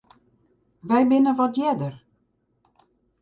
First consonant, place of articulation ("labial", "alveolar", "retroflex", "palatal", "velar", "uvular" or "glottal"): labial